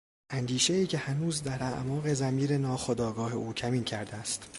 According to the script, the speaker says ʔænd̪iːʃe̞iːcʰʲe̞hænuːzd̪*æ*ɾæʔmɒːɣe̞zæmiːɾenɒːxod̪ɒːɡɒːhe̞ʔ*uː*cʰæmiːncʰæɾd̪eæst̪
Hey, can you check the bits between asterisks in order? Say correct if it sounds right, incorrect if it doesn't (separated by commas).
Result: correct, correct